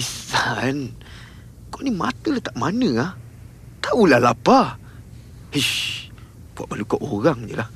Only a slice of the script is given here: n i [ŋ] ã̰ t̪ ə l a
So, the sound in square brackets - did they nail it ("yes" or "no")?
no